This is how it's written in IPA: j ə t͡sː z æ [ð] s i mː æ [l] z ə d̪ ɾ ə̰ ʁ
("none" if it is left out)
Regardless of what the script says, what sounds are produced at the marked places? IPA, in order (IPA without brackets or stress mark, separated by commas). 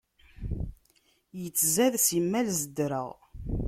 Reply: ð, l